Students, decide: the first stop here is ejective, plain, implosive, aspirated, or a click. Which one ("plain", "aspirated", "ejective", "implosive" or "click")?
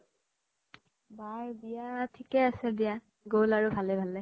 plain